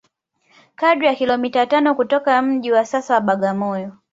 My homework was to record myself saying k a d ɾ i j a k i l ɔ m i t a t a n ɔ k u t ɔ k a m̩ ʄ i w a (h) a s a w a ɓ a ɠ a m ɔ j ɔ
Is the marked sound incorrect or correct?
incorrect